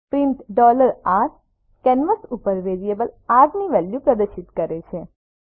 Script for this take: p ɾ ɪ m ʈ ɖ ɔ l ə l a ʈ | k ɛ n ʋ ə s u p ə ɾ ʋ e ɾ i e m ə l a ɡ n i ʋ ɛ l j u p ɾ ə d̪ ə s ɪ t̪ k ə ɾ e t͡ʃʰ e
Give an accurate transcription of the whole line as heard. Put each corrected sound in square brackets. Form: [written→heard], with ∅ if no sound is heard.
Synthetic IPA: p ɾ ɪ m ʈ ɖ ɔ l ə [l→ɾ] a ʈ | k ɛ n ʋ ə s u p ə ɾ ʋ e ɾ i e [m→b] ə l a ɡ n i ʋ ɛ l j u p ɾ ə d̪ ə [s→ʃ] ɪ t̪ k ə ɾ e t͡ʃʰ e